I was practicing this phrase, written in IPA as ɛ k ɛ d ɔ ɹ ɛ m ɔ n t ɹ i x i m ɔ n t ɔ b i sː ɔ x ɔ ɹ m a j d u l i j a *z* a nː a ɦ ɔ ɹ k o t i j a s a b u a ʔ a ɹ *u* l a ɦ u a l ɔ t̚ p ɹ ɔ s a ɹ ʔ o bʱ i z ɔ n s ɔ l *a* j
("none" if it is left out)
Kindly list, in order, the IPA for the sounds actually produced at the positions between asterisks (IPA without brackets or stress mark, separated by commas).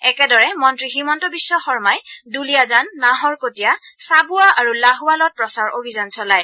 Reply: z, u, a